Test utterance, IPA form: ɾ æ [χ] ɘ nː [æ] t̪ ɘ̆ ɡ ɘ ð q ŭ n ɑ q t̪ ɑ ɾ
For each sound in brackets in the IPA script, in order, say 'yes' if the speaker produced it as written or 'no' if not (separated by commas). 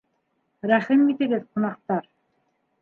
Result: yes, no